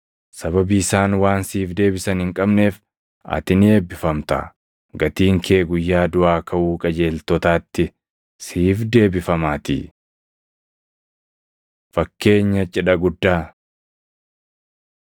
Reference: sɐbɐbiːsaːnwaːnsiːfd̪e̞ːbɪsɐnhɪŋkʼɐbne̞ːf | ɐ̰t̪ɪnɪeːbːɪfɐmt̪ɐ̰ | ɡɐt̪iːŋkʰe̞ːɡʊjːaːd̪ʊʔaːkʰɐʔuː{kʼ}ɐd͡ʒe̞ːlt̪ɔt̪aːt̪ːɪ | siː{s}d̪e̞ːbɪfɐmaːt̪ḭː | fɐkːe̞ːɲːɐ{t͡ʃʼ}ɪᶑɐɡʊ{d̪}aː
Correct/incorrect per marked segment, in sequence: correct, incorrect: f, correct, incorrect: d̪ː

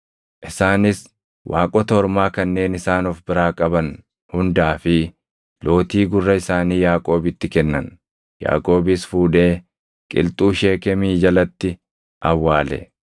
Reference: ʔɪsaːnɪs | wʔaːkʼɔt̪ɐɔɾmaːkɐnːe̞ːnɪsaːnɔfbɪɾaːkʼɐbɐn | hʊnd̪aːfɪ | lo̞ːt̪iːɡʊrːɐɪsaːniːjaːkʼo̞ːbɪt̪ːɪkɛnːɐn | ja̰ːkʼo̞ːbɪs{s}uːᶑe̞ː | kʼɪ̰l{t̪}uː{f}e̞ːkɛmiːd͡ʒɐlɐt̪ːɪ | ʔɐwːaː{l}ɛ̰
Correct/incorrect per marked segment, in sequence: incorrect: f, incorrect: t̪ʼ, incorrect: ʃ, correct

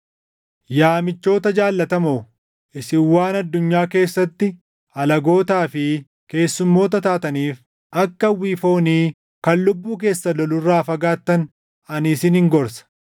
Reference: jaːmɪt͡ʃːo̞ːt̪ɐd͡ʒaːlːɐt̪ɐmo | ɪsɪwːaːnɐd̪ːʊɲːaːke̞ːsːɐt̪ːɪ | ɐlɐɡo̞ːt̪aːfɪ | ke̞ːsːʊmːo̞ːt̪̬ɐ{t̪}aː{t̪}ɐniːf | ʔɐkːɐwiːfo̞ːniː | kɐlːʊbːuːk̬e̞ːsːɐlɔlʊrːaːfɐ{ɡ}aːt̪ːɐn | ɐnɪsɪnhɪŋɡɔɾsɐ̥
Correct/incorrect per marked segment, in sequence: correct, correct, correct

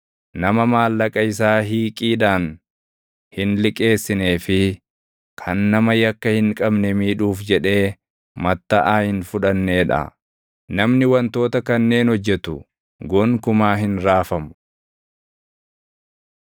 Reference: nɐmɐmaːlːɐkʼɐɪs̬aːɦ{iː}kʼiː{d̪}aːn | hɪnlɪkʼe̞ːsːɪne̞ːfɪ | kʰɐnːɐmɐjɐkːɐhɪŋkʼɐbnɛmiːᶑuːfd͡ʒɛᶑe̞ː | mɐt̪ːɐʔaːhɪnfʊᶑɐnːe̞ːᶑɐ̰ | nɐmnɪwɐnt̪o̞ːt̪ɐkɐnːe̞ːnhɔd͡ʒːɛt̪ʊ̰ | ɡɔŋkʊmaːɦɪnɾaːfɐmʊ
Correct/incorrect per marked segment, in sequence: correct, correct

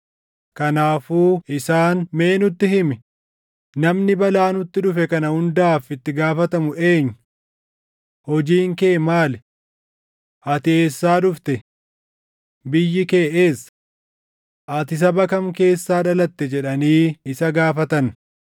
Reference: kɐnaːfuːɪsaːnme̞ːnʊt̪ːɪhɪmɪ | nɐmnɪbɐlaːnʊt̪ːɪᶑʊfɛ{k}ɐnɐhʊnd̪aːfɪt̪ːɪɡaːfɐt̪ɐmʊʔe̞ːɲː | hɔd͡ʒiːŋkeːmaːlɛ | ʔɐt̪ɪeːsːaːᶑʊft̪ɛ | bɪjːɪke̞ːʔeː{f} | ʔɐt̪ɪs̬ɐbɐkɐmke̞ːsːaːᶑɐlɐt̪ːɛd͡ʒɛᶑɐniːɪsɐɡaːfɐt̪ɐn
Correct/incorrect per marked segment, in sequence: correct, incorrect: s

